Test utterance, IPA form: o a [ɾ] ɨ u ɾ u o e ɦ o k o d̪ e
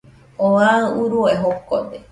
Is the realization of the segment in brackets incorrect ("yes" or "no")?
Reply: yes